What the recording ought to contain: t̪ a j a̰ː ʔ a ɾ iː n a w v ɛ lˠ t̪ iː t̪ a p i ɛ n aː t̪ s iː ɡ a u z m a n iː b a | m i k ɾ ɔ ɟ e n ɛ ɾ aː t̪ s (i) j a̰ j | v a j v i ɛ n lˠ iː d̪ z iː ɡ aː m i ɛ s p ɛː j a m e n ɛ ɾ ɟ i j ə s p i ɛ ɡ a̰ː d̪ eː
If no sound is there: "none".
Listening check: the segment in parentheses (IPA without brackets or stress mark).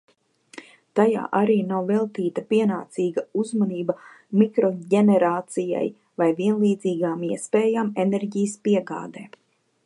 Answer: i